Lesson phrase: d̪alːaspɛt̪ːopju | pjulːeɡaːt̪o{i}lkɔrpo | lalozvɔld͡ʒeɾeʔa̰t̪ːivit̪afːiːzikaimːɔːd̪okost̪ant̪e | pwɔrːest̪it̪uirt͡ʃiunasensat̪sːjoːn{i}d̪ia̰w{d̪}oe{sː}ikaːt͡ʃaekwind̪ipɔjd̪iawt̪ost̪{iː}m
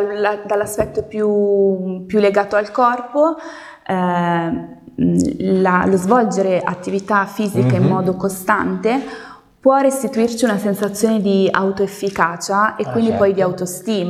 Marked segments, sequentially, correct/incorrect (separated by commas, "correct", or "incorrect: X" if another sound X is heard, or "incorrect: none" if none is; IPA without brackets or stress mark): incorrect: a, incorrect: e, incorrect: t̪, incorrect: fː, correct